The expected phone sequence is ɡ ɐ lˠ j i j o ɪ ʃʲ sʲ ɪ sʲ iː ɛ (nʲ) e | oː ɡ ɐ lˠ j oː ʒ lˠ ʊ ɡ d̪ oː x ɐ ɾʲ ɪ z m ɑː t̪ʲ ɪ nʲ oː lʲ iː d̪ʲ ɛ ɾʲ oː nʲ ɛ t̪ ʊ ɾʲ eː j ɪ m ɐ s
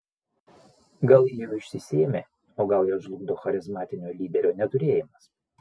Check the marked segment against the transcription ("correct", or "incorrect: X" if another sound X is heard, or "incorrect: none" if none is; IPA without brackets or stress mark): incorrect: mʲ